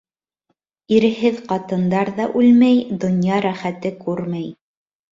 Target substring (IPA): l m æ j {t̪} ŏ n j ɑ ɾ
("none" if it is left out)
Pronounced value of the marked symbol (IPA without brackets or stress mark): d̪